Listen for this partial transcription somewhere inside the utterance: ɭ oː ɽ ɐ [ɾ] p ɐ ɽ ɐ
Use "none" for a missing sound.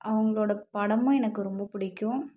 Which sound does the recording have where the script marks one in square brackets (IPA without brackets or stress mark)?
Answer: none